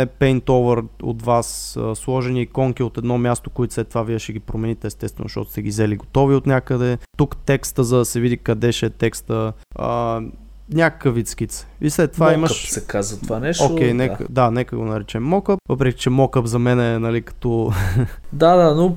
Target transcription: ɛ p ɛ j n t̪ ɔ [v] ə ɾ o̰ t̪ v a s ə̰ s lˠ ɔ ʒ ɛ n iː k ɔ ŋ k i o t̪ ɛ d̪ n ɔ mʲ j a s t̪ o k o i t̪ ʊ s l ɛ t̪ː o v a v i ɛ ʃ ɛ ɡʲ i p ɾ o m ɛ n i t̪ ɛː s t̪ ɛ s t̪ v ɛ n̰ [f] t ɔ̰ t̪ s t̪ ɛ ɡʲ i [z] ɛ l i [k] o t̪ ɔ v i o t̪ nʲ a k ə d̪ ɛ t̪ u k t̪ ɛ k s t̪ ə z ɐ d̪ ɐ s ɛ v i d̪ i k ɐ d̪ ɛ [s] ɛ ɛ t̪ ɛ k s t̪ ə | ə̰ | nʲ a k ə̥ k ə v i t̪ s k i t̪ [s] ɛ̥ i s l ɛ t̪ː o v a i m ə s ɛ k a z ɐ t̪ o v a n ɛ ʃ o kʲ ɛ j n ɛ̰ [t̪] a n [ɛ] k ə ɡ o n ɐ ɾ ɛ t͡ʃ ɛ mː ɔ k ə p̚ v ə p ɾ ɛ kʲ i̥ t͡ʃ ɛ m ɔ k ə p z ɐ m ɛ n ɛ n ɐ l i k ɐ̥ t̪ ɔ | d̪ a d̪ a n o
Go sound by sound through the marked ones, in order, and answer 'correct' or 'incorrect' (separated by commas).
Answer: correct, incorrect, correct, incorrect, incorrect, correct, incorrect, correct